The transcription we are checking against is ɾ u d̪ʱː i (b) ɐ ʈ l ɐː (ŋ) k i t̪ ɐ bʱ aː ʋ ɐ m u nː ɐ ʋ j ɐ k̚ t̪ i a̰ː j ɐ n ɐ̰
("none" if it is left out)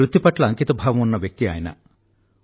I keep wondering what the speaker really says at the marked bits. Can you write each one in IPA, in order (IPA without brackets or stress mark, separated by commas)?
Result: p, ŋ